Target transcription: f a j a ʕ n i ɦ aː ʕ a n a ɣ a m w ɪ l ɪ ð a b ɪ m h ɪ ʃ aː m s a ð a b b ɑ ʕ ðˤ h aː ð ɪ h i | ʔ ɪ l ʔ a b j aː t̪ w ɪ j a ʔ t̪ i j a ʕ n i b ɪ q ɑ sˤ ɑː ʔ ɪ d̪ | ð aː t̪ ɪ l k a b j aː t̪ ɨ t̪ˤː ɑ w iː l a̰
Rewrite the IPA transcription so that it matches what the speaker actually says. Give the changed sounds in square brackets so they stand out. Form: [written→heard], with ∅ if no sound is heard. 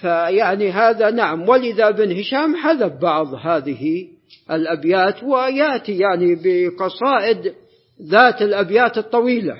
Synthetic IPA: f a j a ʕ n i ɦ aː [ʕ→ð] a n a [ɣ→ʕ] a m w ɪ l ɪ ð a b ɪ [m→n] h ɪ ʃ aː m [s→ħ] a ð a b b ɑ ʕ ðˤ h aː ð ɪ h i | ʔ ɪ l ʔ a b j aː t̪ w ɪ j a ʔ t̪ i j a ʕ n i b ɪ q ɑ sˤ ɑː ʔ ɪ d̪ | ð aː t̪ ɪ l [k→ʔ] a b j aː t̪ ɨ t̪ˤː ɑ w iː l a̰